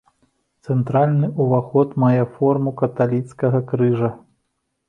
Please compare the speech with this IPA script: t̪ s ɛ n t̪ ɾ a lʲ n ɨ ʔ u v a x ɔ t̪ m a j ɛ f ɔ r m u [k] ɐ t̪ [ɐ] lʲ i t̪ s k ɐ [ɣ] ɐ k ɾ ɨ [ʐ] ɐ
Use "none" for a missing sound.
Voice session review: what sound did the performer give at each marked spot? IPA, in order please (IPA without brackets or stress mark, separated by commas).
k, a, ɣ, ʐ